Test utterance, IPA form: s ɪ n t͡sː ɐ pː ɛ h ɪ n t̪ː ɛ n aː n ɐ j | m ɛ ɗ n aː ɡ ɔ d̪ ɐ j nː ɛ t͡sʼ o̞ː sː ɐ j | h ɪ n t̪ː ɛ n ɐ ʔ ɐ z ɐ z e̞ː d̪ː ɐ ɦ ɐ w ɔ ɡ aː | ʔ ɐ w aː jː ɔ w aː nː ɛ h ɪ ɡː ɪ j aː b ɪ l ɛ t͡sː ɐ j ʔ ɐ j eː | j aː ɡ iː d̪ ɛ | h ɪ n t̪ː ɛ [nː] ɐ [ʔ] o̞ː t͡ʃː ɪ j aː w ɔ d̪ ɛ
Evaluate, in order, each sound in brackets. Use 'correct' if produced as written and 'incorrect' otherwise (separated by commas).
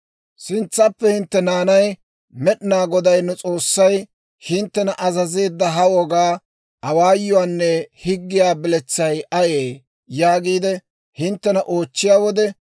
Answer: incorrect, correct